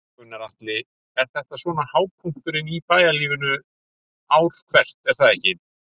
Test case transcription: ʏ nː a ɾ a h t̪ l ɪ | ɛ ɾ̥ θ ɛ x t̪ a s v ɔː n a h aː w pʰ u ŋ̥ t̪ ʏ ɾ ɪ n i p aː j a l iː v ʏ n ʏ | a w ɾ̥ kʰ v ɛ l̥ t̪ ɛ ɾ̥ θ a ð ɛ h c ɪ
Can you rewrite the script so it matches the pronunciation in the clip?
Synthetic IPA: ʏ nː a ɾ a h t̪ l ɪ | ɛ ɾ̥ θ ɛ h t̪ a s v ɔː n a h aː w pʰ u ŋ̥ t̪ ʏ ɾ ɪ n i p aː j a l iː v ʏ n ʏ | a w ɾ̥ kʰ v ɛ r̥ t̪ ɛ ɾ̥ θ a ð ɛ h c ɪ